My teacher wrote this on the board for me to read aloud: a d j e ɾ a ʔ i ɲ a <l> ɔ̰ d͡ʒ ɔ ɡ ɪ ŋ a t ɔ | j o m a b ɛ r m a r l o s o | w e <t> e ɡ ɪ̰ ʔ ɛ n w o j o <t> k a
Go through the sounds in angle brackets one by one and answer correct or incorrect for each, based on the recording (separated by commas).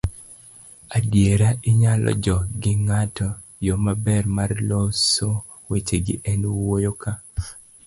correct, incorrect, incorrect